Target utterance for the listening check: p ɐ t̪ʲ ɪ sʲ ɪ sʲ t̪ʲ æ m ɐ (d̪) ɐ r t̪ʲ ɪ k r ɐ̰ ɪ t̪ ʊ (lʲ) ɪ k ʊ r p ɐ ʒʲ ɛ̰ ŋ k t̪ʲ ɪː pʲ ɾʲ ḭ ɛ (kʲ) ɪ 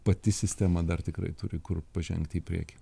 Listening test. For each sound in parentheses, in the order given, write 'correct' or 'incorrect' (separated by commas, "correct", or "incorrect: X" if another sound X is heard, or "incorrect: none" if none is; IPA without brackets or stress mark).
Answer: correct, incorrect: ɾʲ, correct